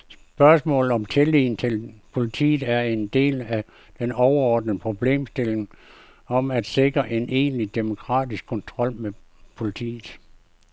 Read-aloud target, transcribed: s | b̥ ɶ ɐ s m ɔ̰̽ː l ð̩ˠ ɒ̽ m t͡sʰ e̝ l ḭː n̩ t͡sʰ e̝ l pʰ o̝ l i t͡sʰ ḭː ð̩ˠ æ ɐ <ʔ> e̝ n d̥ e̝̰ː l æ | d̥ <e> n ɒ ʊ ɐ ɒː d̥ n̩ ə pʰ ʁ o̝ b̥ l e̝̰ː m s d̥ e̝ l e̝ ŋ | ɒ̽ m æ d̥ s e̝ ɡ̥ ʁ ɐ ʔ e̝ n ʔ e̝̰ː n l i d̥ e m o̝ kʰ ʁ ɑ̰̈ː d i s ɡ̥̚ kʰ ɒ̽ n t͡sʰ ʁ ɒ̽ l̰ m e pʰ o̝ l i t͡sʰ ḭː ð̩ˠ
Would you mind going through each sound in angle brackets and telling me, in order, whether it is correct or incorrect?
incorrect, correct

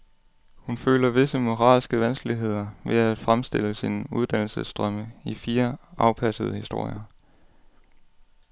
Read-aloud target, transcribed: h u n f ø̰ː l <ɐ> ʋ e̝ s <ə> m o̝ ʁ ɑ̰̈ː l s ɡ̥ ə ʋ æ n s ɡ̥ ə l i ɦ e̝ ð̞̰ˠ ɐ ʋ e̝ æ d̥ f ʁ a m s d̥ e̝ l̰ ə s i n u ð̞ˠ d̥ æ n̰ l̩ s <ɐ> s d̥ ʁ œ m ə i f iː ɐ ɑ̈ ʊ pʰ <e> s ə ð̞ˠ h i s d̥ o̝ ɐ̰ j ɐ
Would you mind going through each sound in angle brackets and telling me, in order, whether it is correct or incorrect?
correct, correct, incorrect, incorrect

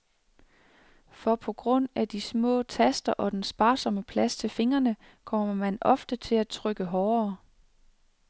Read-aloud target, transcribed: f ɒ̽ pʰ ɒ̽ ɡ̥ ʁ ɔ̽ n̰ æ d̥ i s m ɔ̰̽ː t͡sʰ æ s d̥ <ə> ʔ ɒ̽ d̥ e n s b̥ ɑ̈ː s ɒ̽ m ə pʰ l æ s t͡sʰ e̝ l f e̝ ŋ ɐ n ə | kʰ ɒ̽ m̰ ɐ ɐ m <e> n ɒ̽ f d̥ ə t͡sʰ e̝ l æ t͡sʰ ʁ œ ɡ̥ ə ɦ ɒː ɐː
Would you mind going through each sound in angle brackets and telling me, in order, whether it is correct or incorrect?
incorrect, incorrect

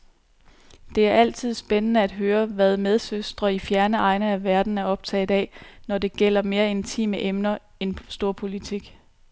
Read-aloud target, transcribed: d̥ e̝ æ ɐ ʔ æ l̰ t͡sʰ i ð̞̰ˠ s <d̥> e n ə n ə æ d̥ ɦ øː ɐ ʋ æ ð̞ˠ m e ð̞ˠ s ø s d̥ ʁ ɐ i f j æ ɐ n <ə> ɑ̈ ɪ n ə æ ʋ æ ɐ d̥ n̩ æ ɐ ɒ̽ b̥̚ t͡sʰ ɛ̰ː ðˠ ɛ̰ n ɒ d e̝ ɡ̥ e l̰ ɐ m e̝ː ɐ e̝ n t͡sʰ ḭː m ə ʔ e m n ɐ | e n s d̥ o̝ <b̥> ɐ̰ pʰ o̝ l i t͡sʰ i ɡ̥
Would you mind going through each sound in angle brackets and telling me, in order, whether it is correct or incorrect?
incorrect, correct, incorrect

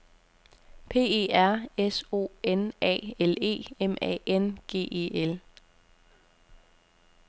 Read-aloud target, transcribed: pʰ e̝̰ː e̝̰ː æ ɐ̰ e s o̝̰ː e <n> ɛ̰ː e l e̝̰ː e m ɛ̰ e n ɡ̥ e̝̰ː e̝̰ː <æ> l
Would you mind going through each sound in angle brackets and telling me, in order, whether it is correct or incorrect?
correct, incorrect

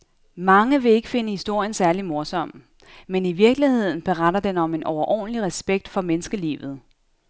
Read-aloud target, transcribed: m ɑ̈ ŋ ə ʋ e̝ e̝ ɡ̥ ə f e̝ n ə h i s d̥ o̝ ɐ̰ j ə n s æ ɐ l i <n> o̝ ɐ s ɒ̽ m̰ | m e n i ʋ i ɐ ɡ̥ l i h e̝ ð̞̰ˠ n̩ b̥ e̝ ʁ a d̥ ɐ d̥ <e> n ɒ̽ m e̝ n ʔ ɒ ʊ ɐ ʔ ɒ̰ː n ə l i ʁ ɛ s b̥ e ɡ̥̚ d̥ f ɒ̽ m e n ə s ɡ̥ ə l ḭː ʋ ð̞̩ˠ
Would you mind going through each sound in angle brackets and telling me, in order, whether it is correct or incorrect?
incorrect, correct

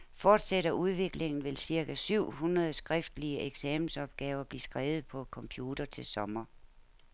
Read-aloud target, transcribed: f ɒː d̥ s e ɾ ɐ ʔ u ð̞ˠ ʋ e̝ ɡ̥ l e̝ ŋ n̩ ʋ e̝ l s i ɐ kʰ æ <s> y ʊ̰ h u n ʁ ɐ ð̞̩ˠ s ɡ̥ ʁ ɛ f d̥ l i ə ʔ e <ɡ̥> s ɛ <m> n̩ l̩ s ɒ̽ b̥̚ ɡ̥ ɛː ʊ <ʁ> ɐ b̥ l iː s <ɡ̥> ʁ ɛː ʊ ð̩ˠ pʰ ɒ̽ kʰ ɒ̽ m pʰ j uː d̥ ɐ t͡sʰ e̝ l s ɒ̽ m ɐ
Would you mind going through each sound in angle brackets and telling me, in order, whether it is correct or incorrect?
correct, correct, correct, incorrect, correct

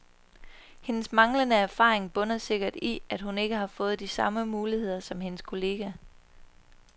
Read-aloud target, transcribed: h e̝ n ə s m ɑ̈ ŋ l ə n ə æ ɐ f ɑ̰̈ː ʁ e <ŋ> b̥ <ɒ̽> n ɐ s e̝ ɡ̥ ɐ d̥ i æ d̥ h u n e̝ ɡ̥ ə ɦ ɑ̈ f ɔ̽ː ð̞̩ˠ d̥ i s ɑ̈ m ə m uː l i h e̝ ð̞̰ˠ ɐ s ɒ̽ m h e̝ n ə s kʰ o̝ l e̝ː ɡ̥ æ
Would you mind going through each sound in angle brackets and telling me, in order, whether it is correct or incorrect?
correct, incorrect

